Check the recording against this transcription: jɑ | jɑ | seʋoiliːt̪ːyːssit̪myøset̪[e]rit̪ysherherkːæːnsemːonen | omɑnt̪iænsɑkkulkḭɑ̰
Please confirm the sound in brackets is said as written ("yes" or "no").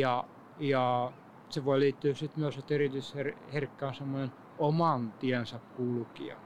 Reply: yes